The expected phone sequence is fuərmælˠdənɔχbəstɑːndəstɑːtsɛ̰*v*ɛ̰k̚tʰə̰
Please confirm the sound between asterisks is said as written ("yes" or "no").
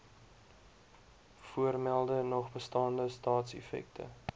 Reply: no